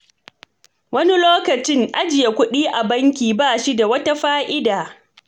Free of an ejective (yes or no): yes